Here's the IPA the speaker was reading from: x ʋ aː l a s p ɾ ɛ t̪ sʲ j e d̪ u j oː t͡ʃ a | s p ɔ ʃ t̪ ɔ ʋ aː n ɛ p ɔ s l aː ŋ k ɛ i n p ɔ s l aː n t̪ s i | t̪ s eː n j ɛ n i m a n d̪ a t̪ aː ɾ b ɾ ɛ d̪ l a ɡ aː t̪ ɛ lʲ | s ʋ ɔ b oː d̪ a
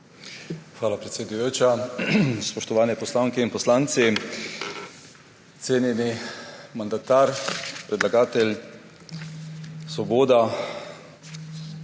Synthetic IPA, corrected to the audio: x ʋ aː l a p ɾ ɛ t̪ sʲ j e d̪ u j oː t͡ʃ a | s p ɔ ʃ t̪ ɔ ʋ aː n ɛ p ɔ s l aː ŋ k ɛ i n p ɔ s l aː n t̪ s i | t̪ s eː n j ɛ n i m a n d̪ a t̪ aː ɾ p ɾ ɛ d̪ l a ɡ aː t̪ ɛ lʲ | s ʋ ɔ b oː d̪ a

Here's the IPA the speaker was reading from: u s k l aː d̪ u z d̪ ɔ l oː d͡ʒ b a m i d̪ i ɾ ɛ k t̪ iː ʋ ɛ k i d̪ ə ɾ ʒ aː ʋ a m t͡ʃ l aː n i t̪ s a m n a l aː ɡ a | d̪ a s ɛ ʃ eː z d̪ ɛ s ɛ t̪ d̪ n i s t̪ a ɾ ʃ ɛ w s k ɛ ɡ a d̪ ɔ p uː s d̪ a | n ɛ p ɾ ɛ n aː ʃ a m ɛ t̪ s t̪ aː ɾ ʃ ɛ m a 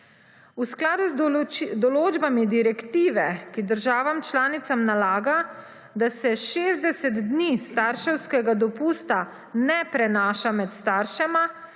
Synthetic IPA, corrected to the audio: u s k l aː d̪ u z d̪ ɔ l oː d͡ʒ b a m i d̪ i ɾ ɛ k t̪ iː ʋ ɛ k i d̪ ə ɾ ʒ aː ʋ a m t͡ʃ l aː n i t̪ s a m n a l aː ɡ a | d̪ a s ɛ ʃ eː z d̪ ɛ s ɛ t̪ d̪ n i s t̪ a ɾ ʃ ɛ w s k ɛ ɡ a d̪ ɔ p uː s t̪ a | n ɛ p ɾ ɛ n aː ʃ a m ɛ t̪ s t̪ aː ɾ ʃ ɛ m a

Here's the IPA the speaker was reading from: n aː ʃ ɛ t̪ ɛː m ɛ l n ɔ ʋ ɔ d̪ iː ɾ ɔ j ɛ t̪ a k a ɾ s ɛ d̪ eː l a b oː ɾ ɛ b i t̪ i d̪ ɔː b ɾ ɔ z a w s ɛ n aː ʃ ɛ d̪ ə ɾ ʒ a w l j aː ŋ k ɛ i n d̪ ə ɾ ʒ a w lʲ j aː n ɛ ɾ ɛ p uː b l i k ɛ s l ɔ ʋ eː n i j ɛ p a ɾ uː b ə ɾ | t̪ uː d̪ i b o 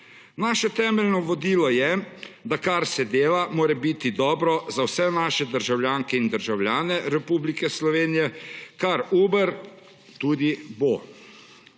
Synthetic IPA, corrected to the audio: n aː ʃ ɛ t̪ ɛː m ɛ l n ɔ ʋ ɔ d̪ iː l ɔ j ɛ d̪ a k a ɾ s ɛ d̪ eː l a m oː ɾ ɛ b i t̪ i d̪ ɔː b ɾ ɔ z a w s ɛ n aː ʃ ɛ d̪ ə ɾ ʒ a w l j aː ŋ k ɛ i n d̪ ə ɾ ʒ a w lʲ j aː n ɛ ɾ ɛ p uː b l i k ɛ s l ɔ ʋ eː n i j ɛ k a ɾ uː b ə ɾ | t̪ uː d̪ i b o

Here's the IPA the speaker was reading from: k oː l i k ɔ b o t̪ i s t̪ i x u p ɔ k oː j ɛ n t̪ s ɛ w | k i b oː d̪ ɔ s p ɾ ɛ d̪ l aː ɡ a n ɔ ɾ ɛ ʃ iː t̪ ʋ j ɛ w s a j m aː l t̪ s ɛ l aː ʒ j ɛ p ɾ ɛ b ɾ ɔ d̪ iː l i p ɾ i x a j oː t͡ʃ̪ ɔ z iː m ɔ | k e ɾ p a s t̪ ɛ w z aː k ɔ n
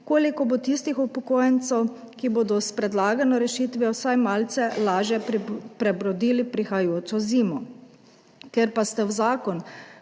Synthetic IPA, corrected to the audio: k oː l i k ɔ b o t̪ i s t̪ i x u p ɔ k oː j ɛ n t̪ s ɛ w | k i b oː d̪ ɔ s p ɾ ɛ d̪ l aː ɡ a n ɔ ɾ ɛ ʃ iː t̪ ʋ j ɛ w s a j m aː l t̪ s ɛ l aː ʒ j ɛ p ɾ ɛ b ɾ ɔ d̪ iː l i p ɾ i x a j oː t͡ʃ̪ ɔ z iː m ɔ | k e ɾ p a s t̪ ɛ w z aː k ɔ n

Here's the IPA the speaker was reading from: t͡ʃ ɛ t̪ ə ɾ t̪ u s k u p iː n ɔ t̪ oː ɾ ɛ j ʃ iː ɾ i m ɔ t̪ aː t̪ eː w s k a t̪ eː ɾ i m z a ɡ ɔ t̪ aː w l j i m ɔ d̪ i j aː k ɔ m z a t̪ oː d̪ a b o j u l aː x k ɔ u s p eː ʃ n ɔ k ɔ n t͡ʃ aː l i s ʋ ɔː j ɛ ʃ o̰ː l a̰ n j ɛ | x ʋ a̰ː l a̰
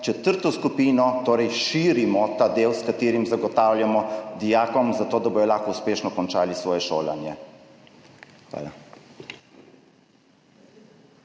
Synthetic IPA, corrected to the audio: t͡ʃ ɛ t̪ ə ɾ t̪ ɔ s k u p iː n ɔ t̪ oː ɾ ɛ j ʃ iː ɾ i m ɔ t̪ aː d̪ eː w s k a t̪ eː ɾ i m z a ɡ ɔ t̪ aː w l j a m ɔ d̪ i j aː k ɔ m z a t̪ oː d̪ a b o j ɔ l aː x k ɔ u s p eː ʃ n ɔ k ɔ n t͡ʃ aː l i s ʋ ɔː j ɛ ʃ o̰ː l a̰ n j ɛ | x ʋ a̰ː l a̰

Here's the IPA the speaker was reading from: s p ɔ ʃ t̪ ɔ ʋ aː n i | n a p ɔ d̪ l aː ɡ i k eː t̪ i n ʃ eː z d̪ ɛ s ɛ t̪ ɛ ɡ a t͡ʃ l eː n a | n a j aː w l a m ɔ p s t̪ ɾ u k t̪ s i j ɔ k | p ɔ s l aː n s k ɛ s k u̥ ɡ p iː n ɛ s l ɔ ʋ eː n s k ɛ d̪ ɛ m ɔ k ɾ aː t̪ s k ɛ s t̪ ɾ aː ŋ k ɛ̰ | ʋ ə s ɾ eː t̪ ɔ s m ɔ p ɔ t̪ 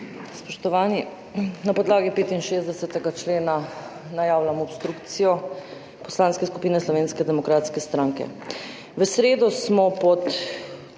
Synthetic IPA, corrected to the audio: s p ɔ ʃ t̪ ɔ ʋ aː n i | n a p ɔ d̪ l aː ɡ i p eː t̪ i n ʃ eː z d̪ ɛ s ɛ t̪ ɛ ɡ a t͡ʃ l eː n a | n a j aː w l a m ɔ p s t̪ ɾ u k t̪ s i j ɔ | p ɔ s l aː n s k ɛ s k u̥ p iː n ɛ s l ɔ ʋ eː n s k ɛ d̪ ɛ m ɔ k ɾ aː t̪ s k ɛ s t̪ ɾ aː ŋ k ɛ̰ | ʋ ə s ɾ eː d̪ ɔ s m ɔ p ɔ t̪

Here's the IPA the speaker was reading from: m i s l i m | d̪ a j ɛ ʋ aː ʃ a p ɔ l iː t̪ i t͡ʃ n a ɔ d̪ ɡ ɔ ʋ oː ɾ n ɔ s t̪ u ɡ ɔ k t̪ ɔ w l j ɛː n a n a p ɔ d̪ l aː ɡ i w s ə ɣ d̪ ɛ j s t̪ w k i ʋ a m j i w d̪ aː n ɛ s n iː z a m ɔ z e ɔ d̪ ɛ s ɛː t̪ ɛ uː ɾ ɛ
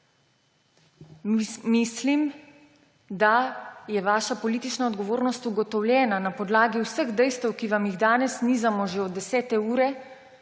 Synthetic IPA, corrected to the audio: m i s l i m | d̪ a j ɛ ʋ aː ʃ a p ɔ l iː t̪ i t͡ʃ n a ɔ d̪ ɡ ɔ ʋ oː ɾ n ɔ s t̪ u ɡ ɔ t̪ ɔ w l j ɛː n a n a p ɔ d̪ l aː ɡ i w s ə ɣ d̪ ɛ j s t̪ w k i ʋ a m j i ɣ d̪ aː n ɛ s n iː z a m ɔ ʒ e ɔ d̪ ɛ s ɛː t̪ ɛ uː ɾ ɛ

